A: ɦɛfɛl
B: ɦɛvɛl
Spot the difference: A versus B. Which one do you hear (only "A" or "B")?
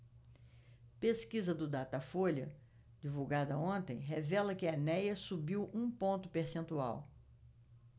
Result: B